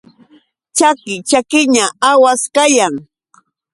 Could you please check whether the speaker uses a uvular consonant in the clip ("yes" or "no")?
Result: no